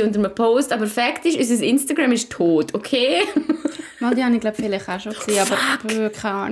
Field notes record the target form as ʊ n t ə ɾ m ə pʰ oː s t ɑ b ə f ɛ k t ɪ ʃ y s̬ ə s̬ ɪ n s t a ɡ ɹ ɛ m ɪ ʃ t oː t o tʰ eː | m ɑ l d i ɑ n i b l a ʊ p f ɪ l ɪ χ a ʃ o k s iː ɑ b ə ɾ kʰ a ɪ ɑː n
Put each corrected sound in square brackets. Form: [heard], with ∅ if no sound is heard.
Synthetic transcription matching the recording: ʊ n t ə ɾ m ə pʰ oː s t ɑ b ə f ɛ k t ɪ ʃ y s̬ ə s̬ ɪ n s t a ɡ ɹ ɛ m ɪ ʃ [tʰ] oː t o [kʰ] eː | m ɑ l d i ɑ n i [ɡ] l a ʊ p f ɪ l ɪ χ a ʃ o k s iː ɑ b ə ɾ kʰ a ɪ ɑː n